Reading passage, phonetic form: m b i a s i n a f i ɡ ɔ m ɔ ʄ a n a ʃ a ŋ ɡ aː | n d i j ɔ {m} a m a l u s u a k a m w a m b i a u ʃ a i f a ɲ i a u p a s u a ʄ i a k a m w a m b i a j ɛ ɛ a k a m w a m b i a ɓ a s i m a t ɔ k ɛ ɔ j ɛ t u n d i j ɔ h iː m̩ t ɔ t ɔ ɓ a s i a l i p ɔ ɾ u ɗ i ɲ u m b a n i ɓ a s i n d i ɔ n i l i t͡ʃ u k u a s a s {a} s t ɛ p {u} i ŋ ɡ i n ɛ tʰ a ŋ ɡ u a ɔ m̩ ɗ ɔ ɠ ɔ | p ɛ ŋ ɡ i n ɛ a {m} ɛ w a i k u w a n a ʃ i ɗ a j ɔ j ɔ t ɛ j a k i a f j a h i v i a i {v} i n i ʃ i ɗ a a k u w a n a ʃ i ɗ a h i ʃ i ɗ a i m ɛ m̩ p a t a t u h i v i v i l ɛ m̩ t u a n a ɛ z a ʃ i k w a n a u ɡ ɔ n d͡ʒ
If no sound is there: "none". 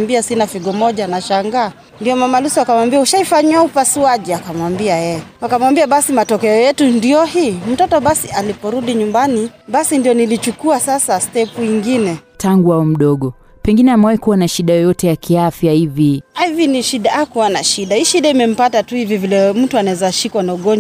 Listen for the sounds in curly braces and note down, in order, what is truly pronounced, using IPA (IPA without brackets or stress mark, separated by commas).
m, a, u, m, v